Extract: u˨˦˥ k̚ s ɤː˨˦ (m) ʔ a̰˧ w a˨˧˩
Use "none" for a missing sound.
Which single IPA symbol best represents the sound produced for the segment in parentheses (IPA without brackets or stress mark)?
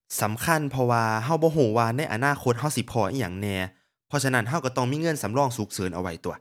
n